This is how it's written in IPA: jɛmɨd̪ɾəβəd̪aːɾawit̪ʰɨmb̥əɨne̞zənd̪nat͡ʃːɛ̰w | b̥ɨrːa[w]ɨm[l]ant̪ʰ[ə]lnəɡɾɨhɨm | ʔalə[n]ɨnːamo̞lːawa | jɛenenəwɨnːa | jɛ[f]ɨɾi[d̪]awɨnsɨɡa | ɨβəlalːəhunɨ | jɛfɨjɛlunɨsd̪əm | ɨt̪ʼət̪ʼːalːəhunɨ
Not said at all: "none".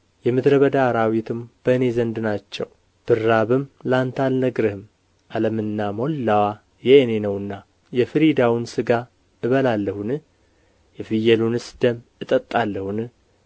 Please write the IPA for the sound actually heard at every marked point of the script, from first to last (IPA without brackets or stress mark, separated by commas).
β, l, a, m, f, d̪